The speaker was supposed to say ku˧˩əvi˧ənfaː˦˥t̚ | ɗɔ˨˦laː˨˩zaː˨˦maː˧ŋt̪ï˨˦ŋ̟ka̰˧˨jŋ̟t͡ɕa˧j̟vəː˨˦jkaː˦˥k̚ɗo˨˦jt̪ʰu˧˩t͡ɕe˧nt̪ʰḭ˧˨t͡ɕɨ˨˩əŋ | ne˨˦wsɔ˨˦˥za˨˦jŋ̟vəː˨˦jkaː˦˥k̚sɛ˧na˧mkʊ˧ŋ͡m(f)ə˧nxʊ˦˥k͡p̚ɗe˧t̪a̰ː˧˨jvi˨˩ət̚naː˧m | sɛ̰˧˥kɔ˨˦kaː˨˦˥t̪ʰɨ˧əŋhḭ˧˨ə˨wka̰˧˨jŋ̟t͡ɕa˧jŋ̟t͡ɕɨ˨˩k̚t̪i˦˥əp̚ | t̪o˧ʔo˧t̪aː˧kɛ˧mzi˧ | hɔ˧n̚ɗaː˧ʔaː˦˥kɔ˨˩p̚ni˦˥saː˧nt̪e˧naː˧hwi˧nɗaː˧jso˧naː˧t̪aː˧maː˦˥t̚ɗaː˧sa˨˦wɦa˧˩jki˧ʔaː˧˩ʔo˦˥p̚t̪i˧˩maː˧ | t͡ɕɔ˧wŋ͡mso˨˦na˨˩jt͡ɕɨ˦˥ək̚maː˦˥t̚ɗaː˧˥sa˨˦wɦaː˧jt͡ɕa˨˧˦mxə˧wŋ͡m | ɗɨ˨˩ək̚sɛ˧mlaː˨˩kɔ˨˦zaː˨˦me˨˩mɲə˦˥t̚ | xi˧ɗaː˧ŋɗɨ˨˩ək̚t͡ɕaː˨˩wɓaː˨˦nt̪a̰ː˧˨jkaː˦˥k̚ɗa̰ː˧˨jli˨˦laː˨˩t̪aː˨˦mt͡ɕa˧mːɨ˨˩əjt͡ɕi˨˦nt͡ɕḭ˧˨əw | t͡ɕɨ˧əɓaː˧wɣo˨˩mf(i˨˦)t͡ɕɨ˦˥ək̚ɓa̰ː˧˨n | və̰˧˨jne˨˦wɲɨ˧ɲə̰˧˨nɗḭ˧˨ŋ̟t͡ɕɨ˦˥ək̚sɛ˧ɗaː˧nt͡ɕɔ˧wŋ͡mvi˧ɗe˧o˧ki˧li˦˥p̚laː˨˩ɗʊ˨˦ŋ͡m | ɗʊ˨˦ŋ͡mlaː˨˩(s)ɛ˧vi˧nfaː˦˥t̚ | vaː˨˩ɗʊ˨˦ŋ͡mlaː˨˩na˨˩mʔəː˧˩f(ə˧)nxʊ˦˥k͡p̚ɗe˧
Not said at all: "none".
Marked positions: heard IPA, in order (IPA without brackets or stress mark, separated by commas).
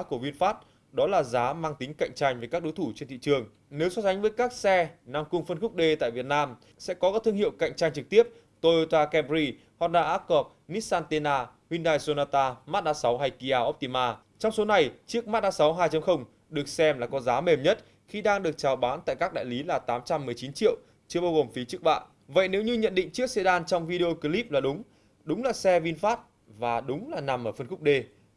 f, i˨˦, s, ə˧